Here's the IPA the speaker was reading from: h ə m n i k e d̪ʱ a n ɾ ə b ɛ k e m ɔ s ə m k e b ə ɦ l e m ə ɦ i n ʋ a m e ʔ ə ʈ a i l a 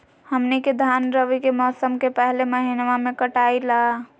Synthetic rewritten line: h ə m n i k e d̪ʱ a n ɾ ə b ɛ k e m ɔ s ə m k e p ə ɦ l e m ə ɦ i n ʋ a m e k ə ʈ a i l a